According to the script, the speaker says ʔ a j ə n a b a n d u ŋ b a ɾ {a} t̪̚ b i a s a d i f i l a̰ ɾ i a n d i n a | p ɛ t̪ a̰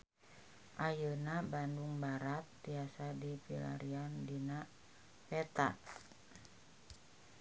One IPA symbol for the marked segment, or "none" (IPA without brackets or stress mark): a